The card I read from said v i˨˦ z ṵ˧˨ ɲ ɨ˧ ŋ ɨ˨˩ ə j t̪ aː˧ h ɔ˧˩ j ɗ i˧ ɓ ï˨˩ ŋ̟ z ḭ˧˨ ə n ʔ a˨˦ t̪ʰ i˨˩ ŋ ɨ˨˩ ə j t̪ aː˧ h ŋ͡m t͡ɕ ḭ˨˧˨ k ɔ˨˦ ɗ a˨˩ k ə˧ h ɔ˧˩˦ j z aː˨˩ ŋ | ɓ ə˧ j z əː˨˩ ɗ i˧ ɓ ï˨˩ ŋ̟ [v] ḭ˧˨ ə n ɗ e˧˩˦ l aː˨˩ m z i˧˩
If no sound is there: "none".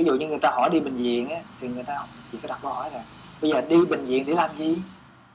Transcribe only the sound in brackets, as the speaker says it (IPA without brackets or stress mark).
z